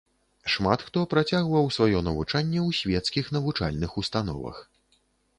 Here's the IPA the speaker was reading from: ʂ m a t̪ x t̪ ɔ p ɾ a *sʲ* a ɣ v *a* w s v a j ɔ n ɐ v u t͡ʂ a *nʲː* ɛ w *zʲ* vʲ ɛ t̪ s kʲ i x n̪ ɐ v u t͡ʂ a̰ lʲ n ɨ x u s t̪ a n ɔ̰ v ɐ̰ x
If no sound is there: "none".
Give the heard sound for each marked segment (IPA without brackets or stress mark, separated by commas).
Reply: t͡sʲ, ɐ, nʲː, sʲ